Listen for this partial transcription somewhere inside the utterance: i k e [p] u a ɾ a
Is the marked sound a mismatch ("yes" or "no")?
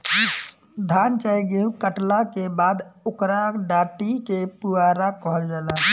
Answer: no